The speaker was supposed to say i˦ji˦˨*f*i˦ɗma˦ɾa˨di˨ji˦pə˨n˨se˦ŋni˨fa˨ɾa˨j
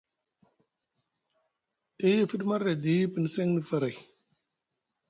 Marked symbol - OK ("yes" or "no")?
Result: yes